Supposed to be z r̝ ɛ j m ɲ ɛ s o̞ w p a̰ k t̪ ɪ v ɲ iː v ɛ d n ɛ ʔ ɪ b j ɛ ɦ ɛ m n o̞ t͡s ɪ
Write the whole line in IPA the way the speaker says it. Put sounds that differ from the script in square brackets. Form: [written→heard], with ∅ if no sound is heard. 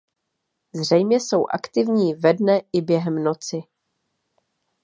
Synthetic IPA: z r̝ ɛ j m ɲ ɛ s o̞ w [p→ʔ] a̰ k t̪ ɪ v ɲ iː v ɛ d n ɛ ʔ ɪ b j ɛ ɦ ɛ m n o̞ t͡s ɪ